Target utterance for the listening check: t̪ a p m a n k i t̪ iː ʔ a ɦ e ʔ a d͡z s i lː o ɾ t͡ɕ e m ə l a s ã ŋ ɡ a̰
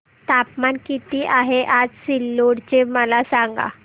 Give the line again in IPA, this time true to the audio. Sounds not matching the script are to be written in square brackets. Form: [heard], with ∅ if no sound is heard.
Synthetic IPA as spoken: t̪ a p m a n k i t̪ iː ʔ a ɦ e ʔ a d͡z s i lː o [ɽ] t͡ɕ e m ə l a s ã ŋ ɡ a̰

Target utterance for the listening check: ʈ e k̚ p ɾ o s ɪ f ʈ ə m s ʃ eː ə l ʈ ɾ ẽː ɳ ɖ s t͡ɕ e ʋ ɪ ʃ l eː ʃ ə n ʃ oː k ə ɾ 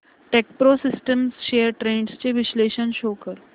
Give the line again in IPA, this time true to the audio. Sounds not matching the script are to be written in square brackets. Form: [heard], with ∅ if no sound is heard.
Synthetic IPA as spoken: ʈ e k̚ p ɾ o s ɪ [s] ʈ ə m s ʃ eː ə [ɾ] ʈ ɾ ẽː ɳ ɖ s t͡ɕ e ʋ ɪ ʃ l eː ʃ ə n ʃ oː k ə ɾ

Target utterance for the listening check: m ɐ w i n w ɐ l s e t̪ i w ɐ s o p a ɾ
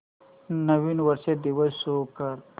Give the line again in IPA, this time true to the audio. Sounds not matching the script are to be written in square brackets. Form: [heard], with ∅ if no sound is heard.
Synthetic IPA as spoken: [n] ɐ w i n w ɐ [ɾ] s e [d̪] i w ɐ s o [k] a ɾ

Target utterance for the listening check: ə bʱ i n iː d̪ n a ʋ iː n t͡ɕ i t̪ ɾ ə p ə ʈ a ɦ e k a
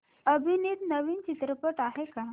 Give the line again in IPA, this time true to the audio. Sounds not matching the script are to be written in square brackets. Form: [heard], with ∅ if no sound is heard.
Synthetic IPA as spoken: ə bʱ i n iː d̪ n [ə] ʋ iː n t͡ɕ i t̪ ɾ ə p ə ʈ a ɦ e k a

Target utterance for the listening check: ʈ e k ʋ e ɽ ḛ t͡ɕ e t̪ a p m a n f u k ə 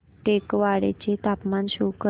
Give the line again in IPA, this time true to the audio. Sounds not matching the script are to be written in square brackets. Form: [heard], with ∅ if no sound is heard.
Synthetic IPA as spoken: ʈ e k ʋ [a] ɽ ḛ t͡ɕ e t̪ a p m a n [ɕ] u k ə

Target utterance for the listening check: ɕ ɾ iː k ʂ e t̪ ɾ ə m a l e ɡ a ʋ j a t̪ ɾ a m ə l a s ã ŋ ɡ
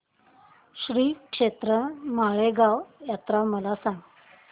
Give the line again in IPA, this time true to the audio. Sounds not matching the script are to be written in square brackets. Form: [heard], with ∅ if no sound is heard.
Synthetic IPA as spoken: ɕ ɾ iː k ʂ e t̪ ɾ ə m a [ɭ] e ɡ a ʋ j a t̪ ɾ a m ə l a s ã ŋ ɡ

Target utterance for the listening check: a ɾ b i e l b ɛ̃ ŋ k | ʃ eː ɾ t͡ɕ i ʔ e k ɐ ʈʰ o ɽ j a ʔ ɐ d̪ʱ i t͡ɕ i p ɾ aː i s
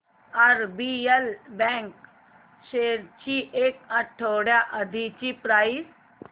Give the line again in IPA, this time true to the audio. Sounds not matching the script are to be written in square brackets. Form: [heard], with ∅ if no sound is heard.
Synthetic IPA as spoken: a ɾ b i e l b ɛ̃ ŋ k | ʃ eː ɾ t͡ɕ i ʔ e k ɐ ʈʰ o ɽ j a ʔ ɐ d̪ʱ i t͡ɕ i p ɾ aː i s

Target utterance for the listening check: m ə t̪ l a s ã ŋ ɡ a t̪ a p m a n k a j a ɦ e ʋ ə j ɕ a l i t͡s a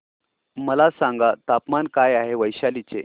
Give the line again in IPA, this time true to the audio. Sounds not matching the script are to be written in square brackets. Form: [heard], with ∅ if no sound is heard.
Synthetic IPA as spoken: m ə [∅] l a s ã ŋ ɡ a t̪ a p m a n k a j a ɦ e ʋ ə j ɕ a l i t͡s [e]

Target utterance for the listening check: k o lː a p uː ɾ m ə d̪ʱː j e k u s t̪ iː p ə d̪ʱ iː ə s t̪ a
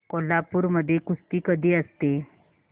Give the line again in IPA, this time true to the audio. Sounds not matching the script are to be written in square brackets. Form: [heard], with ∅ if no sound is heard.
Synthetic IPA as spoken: k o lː a p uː ɾ m ə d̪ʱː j e k u s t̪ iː [k] ə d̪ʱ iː ə s t̪ [e]

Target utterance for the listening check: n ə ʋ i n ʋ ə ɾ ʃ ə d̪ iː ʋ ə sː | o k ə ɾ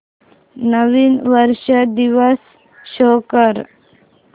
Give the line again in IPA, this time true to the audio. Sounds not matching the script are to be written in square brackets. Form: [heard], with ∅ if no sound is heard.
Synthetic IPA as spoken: n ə ʋ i n ʋ ə ɾ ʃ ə d̪ [i] ʋ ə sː | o k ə ɾ

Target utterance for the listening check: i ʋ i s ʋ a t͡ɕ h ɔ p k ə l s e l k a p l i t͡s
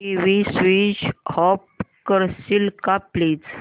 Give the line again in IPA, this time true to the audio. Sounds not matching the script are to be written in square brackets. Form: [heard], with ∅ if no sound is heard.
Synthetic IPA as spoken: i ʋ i s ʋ [i] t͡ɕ h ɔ p k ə [ɾ] s [i] l k a p l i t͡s

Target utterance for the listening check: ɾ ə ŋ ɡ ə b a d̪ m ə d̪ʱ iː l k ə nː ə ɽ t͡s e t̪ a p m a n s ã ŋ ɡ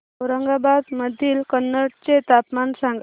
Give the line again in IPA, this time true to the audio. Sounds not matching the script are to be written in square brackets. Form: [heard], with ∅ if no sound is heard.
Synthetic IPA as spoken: ɾ ə ŋ ɡ [a] b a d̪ m ə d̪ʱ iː l k ə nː ə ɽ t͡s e t̪ a p m a n s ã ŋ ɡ

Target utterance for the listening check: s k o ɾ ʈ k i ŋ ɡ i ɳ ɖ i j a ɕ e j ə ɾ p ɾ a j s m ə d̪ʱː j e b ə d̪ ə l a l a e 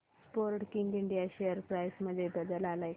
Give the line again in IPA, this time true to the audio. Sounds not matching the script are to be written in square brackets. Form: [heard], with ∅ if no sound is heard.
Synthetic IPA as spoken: s [p] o ɾ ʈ k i ŋ ɡ i ɳ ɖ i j a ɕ e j ə ɾ p ɾ a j s m ə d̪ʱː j e b ə d̪ ə l a l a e

